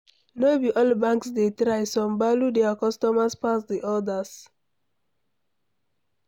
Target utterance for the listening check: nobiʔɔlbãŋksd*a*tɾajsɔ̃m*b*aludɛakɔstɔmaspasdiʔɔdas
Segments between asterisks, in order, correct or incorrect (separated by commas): incorrect, correct